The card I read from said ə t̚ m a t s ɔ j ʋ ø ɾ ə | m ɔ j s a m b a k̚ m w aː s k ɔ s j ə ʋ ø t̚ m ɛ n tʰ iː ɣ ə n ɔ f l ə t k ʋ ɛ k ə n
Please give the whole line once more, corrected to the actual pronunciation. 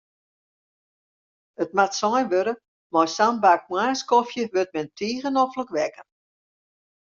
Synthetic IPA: ə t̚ m a t s ɔ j ʋ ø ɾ ə | m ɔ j s a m b a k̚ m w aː s k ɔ f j ə ʋ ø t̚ m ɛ n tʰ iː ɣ ə n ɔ f l ə k ʋ ɛ k ə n